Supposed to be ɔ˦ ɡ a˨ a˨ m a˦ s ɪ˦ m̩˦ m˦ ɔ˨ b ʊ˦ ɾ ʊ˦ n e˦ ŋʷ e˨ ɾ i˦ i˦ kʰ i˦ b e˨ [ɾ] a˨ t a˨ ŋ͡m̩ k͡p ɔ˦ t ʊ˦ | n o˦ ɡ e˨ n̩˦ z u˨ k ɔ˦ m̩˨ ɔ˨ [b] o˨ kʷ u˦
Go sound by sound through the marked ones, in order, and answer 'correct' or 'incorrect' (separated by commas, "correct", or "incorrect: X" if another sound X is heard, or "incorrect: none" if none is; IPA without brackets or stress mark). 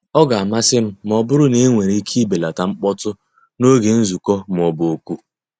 incorrect: l, correct